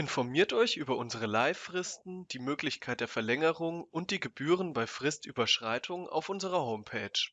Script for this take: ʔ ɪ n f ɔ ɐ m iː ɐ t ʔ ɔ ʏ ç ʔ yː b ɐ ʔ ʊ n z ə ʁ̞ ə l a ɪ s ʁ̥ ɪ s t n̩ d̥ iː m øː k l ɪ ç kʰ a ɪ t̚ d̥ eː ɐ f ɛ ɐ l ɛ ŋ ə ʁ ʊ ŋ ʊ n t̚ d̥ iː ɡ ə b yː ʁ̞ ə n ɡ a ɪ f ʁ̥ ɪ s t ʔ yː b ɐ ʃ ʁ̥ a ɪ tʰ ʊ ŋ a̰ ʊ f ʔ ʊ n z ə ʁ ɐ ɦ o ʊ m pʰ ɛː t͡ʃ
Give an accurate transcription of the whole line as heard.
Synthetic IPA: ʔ ɪ n f ɔ ɐ m iː ɐ t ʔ ɔ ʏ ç ʔ yː b ɐ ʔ ʊ n z ə ʁ̞ ə l a ɪ f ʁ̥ ɪ s t n̩ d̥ iː m øː k l ɪ ç kʰ a ɪ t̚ d̥ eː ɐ f ɛ ɐ l ɛ ŋ ə ʁ ʊ ŋ ʊ n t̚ d̥ iː ɡ ə b yː ʁ̞ ə n b a ɪ f ʁ̥ ɪ s t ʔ yː b ɐ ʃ ʁ̥ a ɪ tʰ ʊ ŋ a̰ ʊ f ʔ ʊ n z ə ʁ ɐ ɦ o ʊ m pʰ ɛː t͡ʃ